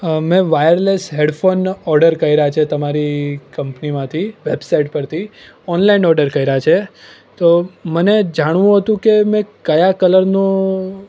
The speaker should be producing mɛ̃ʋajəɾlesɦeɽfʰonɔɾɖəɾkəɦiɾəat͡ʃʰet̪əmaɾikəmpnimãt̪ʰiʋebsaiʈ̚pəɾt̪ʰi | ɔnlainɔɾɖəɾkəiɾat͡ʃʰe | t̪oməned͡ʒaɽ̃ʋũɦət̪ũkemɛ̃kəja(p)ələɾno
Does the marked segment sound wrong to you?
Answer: yes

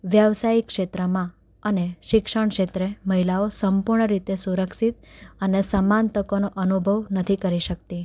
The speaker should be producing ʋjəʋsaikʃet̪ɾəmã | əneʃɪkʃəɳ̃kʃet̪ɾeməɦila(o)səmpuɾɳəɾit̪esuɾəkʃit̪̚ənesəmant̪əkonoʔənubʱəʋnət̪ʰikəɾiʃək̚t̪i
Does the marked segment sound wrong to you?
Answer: no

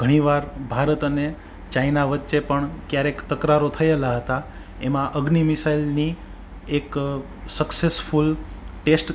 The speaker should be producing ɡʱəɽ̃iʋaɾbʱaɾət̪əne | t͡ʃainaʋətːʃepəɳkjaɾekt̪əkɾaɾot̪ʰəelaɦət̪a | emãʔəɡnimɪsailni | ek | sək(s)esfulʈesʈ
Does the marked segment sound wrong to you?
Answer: no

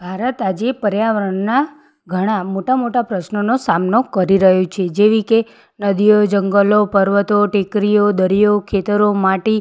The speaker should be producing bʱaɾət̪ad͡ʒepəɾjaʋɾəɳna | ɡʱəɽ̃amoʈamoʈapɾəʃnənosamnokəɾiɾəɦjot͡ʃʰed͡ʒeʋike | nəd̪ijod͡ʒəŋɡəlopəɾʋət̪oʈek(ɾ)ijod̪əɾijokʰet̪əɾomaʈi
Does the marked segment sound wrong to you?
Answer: no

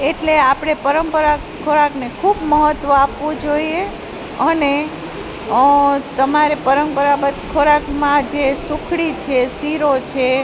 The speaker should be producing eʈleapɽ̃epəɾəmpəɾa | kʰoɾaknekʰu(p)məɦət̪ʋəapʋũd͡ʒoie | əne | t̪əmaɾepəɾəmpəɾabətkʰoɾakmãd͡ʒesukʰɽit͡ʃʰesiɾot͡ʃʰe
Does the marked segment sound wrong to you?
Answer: yes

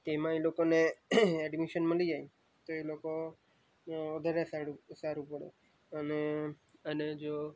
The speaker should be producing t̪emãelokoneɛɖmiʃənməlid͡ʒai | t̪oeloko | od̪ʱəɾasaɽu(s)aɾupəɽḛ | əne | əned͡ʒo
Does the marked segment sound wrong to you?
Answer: no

